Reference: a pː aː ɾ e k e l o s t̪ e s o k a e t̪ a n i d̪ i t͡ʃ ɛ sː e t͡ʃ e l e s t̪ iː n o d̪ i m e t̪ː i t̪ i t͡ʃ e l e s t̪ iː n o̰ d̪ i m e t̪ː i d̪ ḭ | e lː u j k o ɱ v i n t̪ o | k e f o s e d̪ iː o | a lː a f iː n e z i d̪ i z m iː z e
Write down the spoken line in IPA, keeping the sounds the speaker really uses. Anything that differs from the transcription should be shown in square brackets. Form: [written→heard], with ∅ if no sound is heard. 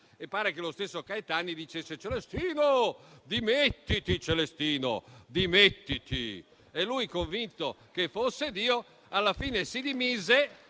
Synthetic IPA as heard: [a→e] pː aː ɾ e k e l o s t̪ e [s→sː] o k a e t̪ a n i d̪ i t͡ʃ [ɛ→e] sː e t͡ʃ e l e s t̪ iː n o d̪ i m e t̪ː i t̪ i t͡ʃ e l e s t̪ iː n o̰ d̪ i m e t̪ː i [d̪→t̪] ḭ | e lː u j k o ɱ v i n t̪ o | k e f o [s→sː] e d̪ iː o | a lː a f iː n e [z→s] i d̪ i [z→∅] m iː z e